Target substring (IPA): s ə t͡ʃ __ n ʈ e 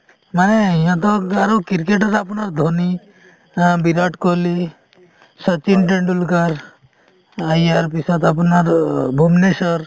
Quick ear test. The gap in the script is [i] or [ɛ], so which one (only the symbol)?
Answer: i